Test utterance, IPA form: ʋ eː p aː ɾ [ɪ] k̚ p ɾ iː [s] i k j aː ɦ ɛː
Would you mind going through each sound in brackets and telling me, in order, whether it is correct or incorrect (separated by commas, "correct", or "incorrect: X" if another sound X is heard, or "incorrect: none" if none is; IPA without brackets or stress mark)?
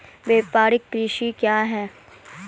correct, incorrect: ʃ